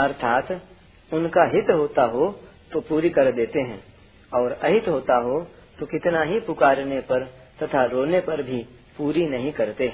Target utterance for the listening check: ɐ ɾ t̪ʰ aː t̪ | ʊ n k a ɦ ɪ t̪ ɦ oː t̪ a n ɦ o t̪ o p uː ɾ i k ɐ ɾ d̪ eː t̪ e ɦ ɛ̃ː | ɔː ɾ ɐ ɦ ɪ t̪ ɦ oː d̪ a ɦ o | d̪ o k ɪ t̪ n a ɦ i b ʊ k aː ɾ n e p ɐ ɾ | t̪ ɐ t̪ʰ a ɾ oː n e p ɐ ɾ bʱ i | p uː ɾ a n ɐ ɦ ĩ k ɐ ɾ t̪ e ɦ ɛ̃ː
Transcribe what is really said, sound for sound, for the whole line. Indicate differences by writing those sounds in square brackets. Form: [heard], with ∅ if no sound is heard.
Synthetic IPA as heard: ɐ ɾ t̪ʰ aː t̪ | ʊ n k a ɦ ɪ t̪ ɦ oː t̪ a [∅] ɦ o t̪ o p uː ɾ i k ɐ ɾ d̪ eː t̪ e ɦ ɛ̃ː | ɔː ɾ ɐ ɦ ɪ t̪ ɦ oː [t̪] a ɦ o | [t̪] o k ɪ t̪ n a ɦ i [p] ʊ k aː ɾ n e p ɐ ɾ | t̪ ɐ t̪ʰ a ɾ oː n e p ɐ ɾ bʱ i | p uː ɾ [i] n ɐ ɦ ĩ k ɐ ɾ t̪ e ɦ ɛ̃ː